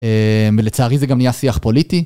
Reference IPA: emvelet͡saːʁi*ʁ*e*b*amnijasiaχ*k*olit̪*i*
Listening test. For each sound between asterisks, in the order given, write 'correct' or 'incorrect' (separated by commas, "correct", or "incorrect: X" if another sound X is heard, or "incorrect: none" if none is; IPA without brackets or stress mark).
incorrect: z, incorrect: ɡ, incorrect: p, correct